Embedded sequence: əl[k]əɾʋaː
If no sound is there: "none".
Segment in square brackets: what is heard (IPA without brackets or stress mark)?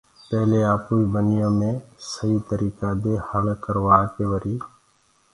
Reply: k